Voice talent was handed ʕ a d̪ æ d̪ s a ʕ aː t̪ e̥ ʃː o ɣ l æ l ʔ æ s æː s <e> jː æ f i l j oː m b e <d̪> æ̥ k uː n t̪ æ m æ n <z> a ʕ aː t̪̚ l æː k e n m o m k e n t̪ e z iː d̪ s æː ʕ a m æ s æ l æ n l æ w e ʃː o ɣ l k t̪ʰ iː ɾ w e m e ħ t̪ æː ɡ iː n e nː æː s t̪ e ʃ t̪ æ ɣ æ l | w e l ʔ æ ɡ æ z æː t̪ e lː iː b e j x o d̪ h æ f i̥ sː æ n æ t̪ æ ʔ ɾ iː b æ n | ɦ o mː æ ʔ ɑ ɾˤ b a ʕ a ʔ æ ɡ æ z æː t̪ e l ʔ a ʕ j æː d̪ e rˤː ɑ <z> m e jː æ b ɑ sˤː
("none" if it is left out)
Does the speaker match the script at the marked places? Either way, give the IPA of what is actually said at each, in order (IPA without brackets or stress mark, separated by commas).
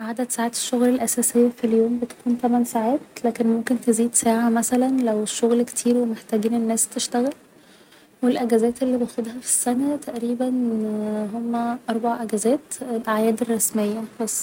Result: e, t̪, s, s